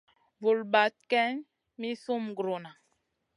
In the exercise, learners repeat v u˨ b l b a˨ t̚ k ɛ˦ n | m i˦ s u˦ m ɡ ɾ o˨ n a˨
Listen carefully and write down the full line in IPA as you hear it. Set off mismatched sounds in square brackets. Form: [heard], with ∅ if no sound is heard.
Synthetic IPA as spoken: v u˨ [∅] l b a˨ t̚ k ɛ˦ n | m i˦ s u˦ m ɡ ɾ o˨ n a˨